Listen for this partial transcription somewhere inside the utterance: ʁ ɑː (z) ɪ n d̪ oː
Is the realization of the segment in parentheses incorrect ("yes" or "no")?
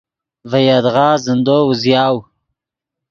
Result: no